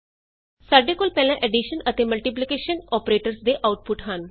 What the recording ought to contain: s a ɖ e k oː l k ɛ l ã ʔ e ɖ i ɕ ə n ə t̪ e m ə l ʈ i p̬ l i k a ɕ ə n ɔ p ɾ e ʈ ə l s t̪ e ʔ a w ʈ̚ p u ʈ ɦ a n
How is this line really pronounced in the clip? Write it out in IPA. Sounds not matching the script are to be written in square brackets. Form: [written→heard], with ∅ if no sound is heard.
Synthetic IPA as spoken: s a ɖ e k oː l [k→p] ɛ l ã ʔ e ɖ i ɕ ə n ə t̪ e m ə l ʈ i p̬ l i k [a→e] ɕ ə n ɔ p ɾ e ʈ ə [l→ɾ] s [t̪→d̪] e ʔ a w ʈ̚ p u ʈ ɦ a n